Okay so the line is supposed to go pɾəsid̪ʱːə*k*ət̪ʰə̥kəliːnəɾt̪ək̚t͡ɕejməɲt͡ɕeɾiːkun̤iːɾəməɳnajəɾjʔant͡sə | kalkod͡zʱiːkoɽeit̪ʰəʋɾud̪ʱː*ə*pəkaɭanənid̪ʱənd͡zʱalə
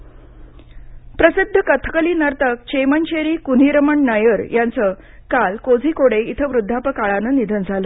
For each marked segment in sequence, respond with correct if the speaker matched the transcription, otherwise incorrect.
correct, incorrect: a

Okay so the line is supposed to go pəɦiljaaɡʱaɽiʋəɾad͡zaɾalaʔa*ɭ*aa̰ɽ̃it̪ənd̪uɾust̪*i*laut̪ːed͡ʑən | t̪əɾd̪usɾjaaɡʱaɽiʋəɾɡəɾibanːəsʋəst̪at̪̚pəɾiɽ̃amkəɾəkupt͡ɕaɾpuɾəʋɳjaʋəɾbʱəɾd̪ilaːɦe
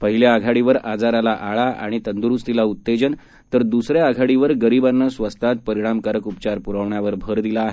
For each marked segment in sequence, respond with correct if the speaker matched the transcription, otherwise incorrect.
correct, correct

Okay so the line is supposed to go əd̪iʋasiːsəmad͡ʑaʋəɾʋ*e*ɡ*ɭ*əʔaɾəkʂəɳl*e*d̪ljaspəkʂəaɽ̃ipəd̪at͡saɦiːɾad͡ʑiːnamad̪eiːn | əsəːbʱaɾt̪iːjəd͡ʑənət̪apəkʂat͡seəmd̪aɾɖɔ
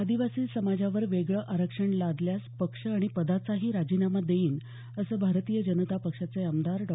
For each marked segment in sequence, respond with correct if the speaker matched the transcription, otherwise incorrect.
correct, correct, incorrect: a

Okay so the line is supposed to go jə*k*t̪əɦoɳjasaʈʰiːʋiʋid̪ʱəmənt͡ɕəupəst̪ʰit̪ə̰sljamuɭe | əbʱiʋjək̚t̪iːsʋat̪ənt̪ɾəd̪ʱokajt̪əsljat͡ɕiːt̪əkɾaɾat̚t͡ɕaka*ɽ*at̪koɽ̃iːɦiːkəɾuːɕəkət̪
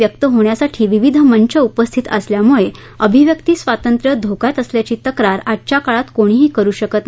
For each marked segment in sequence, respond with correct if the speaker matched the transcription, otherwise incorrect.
correct, incorrect: ɭ

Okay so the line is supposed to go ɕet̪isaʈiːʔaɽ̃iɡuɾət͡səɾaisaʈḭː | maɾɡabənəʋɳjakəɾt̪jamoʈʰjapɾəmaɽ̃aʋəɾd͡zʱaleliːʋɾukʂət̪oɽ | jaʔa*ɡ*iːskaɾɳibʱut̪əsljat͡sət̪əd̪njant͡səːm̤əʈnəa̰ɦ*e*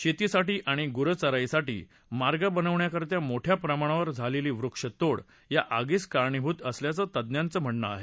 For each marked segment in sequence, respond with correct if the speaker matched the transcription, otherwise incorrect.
correct, correct

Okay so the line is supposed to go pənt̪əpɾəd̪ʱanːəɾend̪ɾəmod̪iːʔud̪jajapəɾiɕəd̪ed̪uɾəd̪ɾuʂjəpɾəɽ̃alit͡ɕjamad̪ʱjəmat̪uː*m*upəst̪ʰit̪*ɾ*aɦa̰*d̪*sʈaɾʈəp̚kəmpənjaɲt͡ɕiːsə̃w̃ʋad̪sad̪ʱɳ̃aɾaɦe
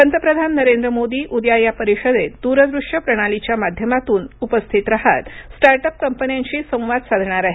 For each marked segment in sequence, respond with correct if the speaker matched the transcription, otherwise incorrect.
incorrect: n, correct, incorrect: t̪

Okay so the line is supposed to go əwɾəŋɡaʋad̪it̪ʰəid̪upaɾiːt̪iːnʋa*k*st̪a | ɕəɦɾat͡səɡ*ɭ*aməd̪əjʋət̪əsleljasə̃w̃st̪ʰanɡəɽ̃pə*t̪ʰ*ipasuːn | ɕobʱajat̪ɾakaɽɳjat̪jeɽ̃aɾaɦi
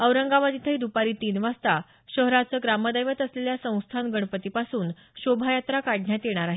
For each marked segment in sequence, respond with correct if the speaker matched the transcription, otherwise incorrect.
incorrect: none, incorrect: ɾ, incorrect: t̪

